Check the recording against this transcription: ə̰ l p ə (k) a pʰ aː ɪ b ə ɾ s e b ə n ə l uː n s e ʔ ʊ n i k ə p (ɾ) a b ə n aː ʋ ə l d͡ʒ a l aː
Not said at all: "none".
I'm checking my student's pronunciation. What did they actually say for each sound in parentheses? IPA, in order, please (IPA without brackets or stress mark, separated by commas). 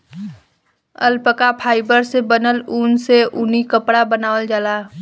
k, ɽ